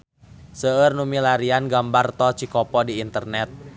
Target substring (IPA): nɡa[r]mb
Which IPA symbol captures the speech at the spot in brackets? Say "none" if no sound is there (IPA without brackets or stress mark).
none